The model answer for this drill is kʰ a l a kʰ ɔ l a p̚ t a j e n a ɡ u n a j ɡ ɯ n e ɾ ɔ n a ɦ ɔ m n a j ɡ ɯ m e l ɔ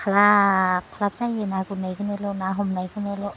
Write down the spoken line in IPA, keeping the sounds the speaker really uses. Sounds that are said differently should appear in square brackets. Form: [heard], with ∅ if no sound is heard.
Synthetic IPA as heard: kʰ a l a kʰ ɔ l a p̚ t a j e n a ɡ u n a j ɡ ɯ n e [l] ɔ n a ɦ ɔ m n a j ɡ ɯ [n] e l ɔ